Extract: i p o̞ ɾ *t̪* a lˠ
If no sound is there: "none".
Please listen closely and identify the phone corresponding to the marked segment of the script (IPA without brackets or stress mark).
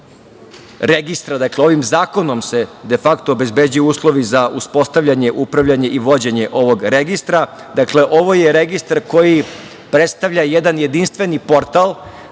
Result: t̪